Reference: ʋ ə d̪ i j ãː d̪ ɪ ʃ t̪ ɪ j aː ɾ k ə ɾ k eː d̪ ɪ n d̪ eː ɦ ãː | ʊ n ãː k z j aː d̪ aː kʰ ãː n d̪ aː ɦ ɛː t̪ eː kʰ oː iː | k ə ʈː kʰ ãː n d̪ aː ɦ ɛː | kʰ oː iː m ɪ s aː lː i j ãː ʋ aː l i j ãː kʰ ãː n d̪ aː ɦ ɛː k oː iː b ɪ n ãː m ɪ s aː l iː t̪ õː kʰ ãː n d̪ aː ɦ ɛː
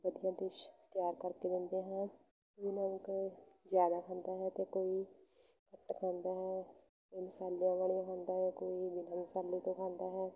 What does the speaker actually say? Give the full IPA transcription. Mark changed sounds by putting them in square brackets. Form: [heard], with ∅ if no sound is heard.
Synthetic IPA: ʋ ə d̪ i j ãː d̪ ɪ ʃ t̪ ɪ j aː ɾ k ə ɾ k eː d̪ ɪ n d̪ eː ɦ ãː | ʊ n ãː k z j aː d̪ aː kʰ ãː n d̪ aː ɦ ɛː t̪ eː [k] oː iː | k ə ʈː kʰ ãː n d̪ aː ɦ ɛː | [k] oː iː m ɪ s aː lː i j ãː ʋ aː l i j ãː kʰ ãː n d̪ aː ɦ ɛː k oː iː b ɪ n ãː m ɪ s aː l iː t̪ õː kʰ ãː n d̪ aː ɦ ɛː